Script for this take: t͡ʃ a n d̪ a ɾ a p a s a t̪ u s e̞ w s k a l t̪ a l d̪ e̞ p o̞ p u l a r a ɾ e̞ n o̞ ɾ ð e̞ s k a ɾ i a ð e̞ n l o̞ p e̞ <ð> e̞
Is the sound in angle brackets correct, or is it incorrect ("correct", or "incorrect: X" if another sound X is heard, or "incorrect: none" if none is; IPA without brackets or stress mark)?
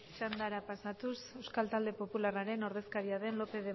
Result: correct